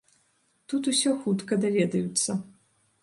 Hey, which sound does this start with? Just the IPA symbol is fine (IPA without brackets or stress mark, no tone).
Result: t̪